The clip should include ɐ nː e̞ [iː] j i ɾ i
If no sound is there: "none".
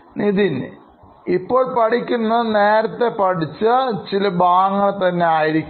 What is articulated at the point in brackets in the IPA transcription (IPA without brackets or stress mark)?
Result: aː